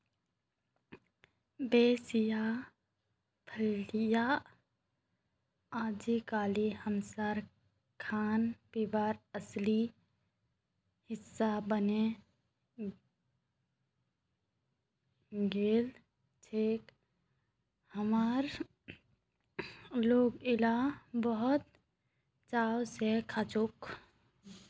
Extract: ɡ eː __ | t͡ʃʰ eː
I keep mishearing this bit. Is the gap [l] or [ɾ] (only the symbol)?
l